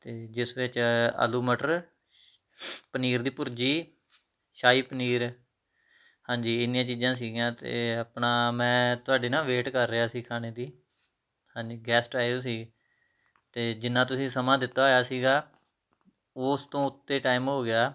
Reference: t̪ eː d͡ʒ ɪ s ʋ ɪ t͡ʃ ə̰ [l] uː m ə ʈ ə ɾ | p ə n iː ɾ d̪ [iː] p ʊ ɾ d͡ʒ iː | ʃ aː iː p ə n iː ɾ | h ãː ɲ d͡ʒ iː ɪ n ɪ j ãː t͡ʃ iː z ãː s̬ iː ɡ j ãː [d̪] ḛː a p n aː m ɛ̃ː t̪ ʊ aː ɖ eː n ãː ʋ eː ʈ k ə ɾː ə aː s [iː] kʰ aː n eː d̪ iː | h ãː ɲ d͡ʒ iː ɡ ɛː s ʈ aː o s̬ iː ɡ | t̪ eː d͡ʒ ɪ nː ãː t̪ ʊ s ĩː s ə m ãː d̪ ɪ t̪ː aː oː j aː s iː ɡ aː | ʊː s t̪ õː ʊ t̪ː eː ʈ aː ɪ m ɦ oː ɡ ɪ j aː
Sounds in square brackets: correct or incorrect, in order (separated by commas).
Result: correct, correct, incorrect, correct